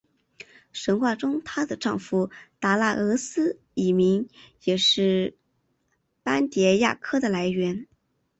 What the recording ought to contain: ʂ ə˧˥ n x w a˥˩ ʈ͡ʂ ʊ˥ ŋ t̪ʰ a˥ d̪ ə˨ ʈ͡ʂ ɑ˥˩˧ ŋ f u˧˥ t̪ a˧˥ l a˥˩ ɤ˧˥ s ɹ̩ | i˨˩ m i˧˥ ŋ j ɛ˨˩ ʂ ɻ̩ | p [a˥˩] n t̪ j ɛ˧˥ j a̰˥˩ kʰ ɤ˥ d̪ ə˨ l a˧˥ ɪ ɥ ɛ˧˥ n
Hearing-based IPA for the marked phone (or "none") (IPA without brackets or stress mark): a˥